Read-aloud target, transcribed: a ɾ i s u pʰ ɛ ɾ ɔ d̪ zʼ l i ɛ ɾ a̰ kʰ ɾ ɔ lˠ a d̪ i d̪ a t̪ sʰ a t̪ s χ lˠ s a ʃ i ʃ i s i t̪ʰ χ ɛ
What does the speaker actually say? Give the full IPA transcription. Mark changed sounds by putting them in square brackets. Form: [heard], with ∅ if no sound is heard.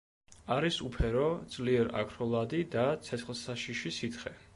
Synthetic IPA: a ɾ i s u pʰ ɛ ɾ ɔ d̪ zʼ l i ɛ ɾ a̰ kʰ ɾ ɔ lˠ a d̪ i d̪ a t̪ sʰ [ɛ] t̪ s χ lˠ s a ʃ i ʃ i s i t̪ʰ χ ɛ